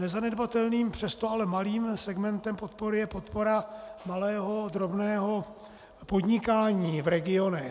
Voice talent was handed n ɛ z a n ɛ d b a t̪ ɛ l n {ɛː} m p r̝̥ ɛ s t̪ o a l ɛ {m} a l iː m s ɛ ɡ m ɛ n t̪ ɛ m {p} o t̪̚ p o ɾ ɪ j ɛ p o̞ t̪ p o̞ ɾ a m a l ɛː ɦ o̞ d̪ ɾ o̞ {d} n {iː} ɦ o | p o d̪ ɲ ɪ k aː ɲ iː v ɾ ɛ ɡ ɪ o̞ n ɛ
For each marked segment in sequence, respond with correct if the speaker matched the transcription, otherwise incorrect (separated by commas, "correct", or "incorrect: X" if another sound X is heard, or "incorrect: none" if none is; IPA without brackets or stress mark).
incorrect: iː, correct, correct, incorrect: b, incorrect: ɛː